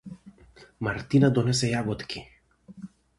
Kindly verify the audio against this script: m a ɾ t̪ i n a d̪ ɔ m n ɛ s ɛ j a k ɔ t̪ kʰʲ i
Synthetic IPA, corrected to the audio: m a ɾ t̪ i n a d̪ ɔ n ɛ s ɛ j a ɡ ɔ t̪ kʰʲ i